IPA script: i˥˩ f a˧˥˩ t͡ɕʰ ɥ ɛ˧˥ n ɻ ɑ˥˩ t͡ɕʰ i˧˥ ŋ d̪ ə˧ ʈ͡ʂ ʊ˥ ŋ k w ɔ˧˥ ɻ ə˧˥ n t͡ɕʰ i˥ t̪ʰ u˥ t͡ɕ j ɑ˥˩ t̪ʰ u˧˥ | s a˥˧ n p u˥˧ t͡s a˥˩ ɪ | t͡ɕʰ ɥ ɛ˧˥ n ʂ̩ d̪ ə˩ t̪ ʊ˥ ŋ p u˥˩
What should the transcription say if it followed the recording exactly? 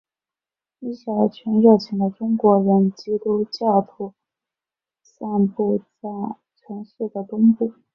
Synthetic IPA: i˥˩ ɕ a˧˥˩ t͡ɕʰ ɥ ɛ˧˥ n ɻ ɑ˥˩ t͡ɕʰ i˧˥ ŋ d̪ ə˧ ʈ͡ʂ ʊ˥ ŋ k w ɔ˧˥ ɻ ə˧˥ n t͡ɕ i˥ t̪ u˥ t͡ɕ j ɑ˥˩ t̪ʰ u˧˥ | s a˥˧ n p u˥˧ t͡s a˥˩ ɪ | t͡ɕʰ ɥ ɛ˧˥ n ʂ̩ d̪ ə˩ t̪ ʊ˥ ŋ p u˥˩